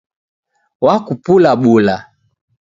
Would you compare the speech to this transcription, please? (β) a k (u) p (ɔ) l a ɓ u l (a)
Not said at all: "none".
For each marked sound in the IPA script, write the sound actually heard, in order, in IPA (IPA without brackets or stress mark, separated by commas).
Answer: w, u, u, a